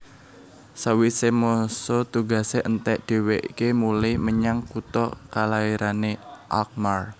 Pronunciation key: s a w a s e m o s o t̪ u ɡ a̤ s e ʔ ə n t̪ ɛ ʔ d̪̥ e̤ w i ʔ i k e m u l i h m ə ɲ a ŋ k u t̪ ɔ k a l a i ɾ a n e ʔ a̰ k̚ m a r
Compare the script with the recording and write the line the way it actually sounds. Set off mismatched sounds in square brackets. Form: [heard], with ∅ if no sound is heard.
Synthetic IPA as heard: s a w [i] s e m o s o t̪ u ɡ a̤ s e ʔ ə n t̪ ɛ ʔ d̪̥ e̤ w [e] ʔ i k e m u l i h m ə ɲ a ŋ k u t̪ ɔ k a l a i ɾ a n e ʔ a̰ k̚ m a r